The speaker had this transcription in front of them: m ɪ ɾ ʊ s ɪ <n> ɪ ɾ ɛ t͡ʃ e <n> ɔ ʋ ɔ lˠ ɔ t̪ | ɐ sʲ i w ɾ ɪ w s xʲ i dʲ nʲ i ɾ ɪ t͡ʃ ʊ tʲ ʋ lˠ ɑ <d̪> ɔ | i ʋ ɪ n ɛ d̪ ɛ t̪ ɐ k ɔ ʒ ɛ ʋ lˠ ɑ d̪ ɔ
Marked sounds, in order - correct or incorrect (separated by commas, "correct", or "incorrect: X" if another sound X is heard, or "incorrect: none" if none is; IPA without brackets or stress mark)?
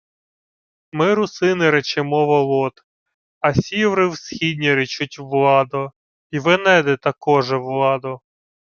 correct, incorrect: m, correct